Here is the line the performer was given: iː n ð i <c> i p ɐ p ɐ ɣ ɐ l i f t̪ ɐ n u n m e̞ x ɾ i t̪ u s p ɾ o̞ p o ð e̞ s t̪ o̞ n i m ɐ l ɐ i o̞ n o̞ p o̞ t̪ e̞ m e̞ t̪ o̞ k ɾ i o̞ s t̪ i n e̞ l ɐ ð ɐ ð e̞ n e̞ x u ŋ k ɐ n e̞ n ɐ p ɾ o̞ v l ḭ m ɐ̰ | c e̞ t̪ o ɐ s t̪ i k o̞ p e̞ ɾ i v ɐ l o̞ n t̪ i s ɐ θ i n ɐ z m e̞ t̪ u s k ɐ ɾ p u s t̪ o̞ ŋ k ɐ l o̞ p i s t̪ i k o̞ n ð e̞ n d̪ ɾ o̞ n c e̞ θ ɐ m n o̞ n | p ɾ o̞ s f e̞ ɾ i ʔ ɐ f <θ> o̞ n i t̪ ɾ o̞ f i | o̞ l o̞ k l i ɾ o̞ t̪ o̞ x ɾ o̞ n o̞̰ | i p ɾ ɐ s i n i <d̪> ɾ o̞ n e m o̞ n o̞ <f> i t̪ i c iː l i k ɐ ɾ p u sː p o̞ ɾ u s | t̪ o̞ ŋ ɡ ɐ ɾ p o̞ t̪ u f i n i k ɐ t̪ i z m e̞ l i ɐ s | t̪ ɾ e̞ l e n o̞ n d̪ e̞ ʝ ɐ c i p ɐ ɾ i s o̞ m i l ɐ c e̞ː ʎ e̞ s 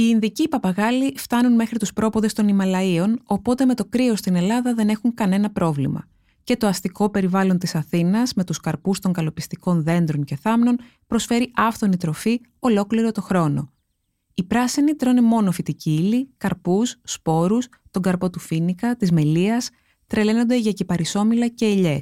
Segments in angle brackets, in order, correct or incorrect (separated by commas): correct, correct, incorrect, correct